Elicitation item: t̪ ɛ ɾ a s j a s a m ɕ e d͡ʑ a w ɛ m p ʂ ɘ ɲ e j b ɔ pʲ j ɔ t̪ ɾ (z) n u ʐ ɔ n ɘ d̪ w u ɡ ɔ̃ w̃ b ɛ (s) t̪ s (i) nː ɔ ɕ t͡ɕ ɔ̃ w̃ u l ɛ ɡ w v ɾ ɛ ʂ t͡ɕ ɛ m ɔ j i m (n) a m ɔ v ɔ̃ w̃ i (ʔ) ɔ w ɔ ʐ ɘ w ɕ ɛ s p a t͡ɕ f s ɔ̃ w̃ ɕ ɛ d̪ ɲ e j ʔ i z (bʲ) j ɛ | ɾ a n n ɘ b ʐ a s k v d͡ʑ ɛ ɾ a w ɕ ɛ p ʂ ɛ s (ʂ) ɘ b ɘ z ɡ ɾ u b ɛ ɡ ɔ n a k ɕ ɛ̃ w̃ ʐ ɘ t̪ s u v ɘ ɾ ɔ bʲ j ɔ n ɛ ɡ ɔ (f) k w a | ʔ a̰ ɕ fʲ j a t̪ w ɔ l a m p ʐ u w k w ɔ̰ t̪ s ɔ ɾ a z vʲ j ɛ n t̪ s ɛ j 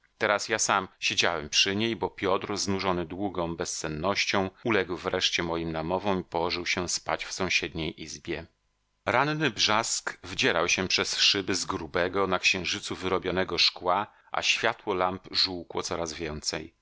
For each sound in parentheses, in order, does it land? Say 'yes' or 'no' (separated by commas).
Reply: yes, yes, no, yes, no, yes, yes, no